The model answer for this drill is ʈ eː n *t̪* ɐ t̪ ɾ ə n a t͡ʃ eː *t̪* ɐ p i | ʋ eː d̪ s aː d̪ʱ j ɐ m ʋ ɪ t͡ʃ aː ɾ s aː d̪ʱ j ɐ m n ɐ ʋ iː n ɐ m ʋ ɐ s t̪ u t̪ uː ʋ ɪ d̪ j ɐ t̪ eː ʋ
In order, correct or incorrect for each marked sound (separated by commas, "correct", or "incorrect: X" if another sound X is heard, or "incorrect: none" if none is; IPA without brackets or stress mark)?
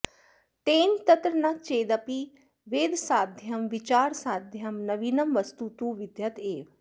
correct, incorrect: d̪